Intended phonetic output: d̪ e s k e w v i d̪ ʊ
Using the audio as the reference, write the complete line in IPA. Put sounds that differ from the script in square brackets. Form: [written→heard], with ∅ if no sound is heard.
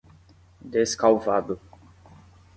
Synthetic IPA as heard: d̪ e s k [e→a] w v [i→a] d̪ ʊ

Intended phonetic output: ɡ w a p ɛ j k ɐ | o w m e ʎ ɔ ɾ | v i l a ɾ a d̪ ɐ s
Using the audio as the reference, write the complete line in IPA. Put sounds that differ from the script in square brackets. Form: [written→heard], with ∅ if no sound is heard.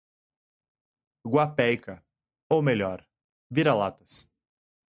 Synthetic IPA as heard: ɡ w a p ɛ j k ɐ | o w m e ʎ ɔ ɾ | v i [l→ɾ] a [ɾ→l] a [d̪→t̪] ɐ s

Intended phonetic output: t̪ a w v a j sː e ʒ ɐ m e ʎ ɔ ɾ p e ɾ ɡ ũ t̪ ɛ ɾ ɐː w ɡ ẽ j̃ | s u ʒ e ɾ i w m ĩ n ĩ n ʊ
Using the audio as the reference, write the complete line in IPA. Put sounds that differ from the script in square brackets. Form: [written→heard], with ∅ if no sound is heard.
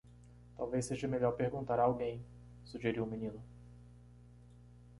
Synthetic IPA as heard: t̪ a w v [a→e] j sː e ʒ ɐ m e ʎ ɔ ɾ p e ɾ ɡ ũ t̪ [ɛ→a] ɾ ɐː w ɡ ẽ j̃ | s u ʒ e ɾ i w m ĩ n ĩ n ʊ

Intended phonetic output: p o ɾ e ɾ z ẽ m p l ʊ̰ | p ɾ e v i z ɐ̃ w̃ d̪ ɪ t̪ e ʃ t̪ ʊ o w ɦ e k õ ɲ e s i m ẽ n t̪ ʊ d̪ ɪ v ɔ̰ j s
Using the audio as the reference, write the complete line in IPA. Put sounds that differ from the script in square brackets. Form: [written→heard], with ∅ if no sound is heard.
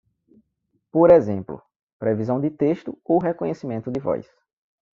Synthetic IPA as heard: p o ɾ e [ɾ→∅] z ẽ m p l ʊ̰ | p ɾ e v i z ɐ̃ w̃ d̪ ɪ t̪ e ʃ t̪ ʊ o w ɦ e k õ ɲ e s i m ẽ n t̪ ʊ d̪ ɪ v ɔ̰ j s

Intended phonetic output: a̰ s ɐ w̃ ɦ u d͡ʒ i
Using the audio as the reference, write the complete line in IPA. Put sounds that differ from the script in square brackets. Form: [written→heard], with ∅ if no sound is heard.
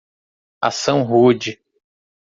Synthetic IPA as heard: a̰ s [ɐ→ɐ̃] w̃ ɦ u d͡ʒ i

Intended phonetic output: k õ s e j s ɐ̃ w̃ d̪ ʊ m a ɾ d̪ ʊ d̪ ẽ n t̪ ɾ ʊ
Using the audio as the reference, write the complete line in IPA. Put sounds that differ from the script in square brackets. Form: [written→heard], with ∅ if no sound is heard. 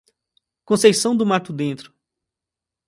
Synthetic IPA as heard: k õ s e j s ɐ̃ w̃ d̪ ʊ m a ɾ [d̪→t̪] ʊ d̪ ẽ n t̪ ɾ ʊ

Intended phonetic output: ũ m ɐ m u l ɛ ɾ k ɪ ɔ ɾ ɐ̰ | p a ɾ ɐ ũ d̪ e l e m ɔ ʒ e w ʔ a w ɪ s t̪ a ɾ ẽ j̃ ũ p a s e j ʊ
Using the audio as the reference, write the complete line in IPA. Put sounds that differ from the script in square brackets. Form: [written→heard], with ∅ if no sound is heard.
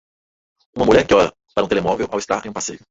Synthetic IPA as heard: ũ m ɐ m u [l→ʎ] ɛ ɾ k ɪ ɔ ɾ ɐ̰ | p a ɾ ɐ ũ [d̪→t̪] e l e m ɔ [ʒ→v] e w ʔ a w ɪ s t̪ a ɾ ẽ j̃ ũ p a s e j ʊ

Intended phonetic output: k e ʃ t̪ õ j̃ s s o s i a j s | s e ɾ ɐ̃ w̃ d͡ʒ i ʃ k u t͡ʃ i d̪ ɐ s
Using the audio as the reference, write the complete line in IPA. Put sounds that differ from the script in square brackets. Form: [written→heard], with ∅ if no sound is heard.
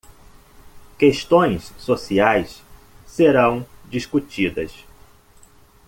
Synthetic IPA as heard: k e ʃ t̪ õ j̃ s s o s i a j s | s e ɾ ɐ̃ w̃ d͡ʒ i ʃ k u t͡ʃ i d̪ ɐ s

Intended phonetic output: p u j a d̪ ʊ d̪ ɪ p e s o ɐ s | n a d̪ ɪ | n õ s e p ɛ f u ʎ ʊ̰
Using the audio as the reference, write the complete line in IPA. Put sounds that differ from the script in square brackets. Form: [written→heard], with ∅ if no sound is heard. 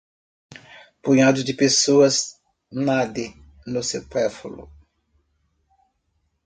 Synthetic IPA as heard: p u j a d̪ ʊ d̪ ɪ p e s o ɐ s | n a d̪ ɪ | n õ s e p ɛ f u [ʎ→l] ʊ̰

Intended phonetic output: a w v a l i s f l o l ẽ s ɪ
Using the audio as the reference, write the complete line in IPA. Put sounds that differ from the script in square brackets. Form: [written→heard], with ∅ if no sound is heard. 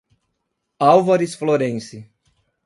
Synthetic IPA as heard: a w v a [l→ɾ] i s f l o [l→ɾ] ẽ s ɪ

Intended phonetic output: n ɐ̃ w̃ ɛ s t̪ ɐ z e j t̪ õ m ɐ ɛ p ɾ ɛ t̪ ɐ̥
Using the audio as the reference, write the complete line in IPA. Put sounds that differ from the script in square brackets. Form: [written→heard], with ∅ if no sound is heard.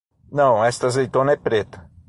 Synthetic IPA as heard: n ɐ̃ w̃ ɛ s t̪ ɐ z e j t̪ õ [m→n] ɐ ɛ p ɾ [ɛ→e] t̪ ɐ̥

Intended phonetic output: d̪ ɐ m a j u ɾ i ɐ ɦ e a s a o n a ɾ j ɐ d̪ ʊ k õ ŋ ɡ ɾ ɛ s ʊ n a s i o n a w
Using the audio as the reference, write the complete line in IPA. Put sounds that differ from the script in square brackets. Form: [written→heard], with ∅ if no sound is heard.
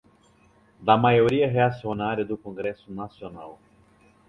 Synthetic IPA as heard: d̪ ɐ m a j [u→o] ɾ i ɐ ɦ e a s [a→i] o n a ɾ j ɐ d̪ ʊ k õ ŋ ɡ ɾ ɛ s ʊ n a s i o n a w

